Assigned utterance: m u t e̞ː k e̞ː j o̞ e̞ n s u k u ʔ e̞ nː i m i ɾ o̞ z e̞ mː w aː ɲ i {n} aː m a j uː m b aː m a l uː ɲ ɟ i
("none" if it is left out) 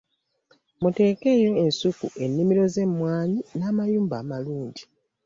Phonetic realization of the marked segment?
n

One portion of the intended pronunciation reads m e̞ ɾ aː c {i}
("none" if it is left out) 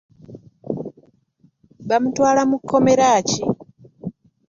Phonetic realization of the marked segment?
i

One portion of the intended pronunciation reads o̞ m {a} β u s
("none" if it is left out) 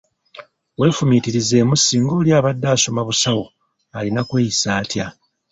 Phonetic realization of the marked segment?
a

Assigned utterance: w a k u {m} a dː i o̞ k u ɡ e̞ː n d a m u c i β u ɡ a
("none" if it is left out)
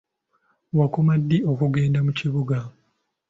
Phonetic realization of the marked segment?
m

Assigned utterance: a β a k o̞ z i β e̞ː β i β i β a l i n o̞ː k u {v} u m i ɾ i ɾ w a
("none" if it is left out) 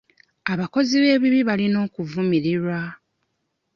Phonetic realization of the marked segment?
v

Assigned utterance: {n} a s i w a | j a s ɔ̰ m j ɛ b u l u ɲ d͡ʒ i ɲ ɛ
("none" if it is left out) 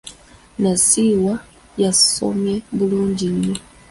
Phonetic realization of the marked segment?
n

